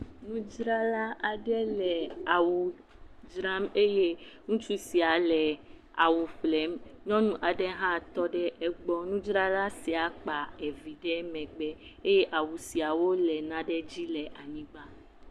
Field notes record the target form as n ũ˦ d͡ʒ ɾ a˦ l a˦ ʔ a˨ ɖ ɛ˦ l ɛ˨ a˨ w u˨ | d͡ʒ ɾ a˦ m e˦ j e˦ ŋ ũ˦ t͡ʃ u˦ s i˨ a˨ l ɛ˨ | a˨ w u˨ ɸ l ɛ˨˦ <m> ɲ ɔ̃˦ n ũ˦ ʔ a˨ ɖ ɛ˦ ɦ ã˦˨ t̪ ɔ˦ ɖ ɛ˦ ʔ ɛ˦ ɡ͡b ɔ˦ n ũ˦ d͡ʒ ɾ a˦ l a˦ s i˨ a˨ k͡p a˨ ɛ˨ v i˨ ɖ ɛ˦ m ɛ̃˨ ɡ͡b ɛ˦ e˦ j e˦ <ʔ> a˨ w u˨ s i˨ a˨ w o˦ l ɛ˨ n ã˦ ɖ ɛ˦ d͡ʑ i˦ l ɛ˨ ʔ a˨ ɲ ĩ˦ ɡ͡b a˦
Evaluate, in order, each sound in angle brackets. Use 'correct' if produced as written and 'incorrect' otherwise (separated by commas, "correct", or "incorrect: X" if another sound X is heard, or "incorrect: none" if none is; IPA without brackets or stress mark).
correct, correct